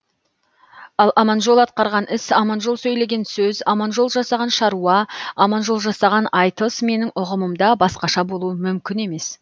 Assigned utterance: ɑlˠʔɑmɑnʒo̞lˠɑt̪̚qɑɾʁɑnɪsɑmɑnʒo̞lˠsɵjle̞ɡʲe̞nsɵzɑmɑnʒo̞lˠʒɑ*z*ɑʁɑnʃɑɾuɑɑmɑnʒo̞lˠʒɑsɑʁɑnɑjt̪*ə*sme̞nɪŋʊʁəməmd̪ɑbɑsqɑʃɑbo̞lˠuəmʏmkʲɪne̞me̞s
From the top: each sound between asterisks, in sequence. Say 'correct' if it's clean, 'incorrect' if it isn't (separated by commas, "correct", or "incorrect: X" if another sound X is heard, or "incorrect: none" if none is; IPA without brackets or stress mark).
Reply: incorrect: s, correct